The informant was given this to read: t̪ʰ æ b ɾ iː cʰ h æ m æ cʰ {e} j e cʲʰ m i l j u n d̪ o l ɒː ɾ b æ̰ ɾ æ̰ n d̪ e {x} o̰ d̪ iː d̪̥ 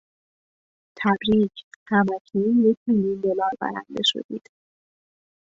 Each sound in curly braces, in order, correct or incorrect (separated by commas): incorrect, incorrect